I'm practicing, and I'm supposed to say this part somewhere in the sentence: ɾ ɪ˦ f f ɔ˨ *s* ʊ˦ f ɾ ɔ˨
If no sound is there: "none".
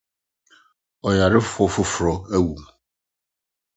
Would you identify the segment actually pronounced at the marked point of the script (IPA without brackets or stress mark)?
f